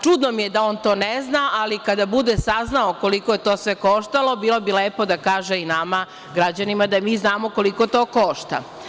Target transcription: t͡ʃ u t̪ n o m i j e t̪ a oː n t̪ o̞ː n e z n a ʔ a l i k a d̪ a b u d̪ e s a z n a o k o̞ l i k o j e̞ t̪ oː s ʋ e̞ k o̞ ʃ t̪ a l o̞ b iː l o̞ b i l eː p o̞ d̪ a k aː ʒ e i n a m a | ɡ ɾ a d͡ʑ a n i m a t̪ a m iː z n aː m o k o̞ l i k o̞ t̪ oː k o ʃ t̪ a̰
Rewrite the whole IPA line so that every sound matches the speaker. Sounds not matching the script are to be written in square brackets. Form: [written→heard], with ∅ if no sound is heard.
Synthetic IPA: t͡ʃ u [t̪→d̪] n o m i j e [t̪→d̪] a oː n t̪ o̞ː n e z n a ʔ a l i k a d̪ a b u d̪ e s a z n a o k o̞ l i k o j e̞ t̪ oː s ʋ e̞ k o̞ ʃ t̪ a l o̞ b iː l o̞ b i l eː p o̞ d̪ a k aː ʒ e i n a m a | ɡ ɾ a d͡ʑ a n i m a [t̪→d̪] a m iː z n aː m o k o̞ l i k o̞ t̪ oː k o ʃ t̪ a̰